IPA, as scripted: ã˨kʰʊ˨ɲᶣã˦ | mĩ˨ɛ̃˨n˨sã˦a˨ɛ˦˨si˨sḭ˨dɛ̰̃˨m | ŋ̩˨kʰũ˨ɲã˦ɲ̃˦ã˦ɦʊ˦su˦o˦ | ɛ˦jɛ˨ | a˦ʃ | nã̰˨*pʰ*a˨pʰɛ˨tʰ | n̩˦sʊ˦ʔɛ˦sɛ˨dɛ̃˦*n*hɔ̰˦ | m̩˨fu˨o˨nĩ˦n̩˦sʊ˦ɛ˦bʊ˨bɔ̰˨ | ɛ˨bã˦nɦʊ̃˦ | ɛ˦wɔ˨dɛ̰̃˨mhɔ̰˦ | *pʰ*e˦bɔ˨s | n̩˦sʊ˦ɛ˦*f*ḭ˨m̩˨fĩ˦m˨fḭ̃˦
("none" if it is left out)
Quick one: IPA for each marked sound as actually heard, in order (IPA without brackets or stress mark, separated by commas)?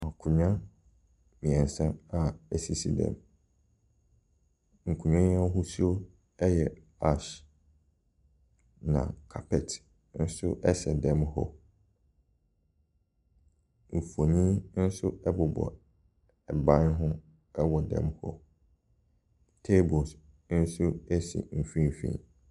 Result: kʰ, m, tʰ, s